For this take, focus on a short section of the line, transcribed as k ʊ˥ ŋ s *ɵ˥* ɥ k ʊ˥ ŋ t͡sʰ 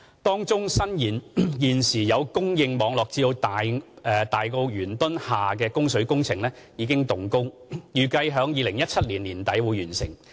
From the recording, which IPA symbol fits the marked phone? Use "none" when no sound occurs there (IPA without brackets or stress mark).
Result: ɵ˨˥